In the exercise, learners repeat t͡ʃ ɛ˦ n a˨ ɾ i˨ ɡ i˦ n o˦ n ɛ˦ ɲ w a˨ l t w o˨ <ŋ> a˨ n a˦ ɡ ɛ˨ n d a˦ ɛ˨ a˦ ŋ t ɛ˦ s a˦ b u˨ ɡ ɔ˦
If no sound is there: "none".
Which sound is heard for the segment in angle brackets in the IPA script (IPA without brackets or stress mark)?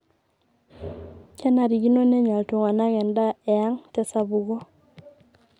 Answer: ŋ